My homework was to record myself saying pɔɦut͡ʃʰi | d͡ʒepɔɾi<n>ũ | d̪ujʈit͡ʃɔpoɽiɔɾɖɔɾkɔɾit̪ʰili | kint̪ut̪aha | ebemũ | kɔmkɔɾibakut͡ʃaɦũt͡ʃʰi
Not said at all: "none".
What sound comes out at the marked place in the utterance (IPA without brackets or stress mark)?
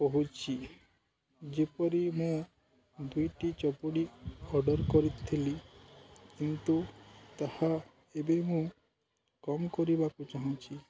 m